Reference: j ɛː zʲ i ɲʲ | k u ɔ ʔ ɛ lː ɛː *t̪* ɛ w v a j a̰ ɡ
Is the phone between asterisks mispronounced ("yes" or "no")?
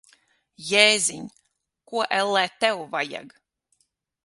no